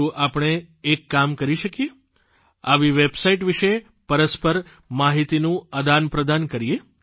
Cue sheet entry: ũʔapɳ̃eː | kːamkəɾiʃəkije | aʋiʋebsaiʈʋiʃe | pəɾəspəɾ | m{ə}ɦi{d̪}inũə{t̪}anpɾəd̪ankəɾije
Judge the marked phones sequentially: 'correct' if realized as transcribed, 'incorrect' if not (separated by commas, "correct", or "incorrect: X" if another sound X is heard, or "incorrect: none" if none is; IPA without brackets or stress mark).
incorrect: a, incorrect: t̪, incorrect: d̪